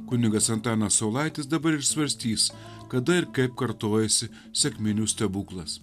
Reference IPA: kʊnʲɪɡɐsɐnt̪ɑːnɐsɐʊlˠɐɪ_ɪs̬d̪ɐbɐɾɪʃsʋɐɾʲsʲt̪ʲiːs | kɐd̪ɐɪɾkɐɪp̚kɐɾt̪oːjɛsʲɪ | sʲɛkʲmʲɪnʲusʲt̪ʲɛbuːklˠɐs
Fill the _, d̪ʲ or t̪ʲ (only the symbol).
t̪ʲ